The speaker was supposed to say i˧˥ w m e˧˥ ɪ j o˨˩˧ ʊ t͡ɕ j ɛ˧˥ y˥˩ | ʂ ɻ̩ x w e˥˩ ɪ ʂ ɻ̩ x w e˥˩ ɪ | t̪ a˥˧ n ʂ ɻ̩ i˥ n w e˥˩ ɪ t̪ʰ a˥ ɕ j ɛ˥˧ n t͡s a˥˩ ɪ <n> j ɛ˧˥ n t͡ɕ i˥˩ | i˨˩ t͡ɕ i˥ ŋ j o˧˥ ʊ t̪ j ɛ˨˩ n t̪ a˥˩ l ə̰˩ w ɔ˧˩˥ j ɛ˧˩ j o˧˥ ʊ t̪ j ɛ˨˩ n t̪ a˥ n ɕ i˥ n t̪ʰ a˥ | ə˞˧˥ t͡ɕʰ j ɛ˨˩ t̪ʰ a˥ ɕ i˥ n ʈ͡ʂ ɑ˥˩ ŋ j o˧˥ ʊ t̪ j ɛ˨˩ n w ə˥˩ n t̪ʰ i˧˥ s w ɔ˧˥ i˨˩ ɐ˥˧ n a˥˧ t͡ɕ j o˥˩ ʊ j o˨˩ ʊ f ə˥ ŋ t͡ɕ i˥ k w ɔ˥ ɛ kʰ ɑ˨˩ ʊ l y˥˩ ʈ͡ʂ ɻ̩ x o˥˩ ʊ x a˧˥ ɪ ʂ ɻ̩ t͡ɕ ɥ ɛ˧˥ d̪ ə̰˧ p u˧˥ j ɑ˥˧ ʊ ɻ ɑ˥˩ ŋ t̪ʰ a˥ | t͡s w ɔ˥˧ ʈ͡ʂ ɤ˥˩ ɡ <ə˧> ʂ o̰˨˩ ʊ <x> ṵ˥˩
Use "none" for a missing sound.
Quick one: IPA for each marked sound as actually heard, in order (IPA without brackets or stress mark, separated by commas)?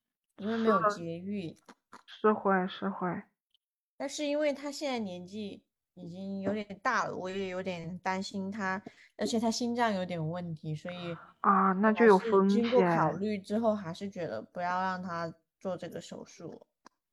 n, ə˩, ʂ